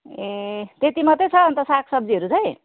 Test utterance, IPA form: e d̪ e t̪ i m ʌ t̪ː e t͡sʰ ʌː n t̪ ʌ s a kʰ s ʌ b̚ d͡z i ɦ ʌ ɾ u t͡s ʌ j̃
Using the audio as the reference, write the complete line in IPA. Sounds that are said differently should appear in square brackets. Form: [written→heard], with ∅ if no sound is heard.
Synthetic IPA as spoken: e [d̪→t̪] e t̪ i m ʌ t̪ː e t͡sʰ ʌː n t̪ ʌ s a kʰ s ʌ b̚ d͡z i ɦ ʌ ɾ u t͡s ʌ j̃